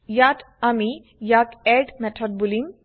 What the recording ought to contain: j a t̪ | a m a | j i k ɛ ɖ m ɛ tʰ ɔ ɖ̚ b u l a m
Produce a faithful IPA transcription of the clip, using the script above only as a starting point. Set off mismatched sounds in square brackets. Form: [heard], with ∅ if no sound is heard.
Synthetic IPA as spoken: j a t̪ | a m [i] | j [a] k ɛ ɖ m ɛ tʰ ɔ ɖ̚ b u l [i] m